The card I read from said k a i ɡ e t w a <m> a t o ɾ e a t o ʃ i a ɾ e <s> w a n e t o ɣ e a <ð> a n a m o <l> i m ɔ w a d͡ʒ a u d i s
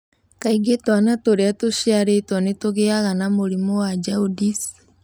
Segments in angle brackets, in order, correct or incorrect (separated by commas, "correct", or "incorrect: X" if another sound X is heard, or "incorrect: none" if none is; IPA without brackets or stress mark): incorrect: n, incorrect: t, incorrect: ɣ, incorrect: ɾ